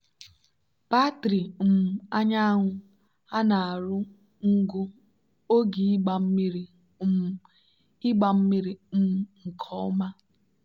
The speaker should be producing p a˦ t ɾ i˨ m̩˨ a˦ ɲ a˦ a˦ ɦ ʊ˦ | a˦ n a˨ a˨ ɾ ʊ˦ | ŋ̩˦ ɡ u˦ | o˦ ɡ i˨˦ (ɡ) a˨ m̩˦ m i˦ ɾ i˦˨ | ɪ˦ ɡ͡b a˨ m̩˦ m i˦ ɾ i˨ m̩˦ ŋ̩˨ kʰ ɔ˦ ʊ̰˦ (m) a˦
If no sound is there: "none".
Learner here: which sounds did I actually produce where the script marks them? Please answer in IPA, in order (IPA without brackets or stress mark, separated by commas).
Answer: ɡ͡b, m